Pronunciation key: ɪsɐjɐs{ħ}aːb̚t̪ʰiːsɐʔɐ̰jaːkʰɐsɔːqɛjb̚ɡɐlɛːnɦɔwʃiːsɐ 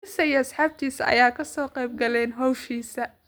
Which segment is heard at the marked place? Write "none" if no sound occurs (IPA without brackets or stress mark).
ħ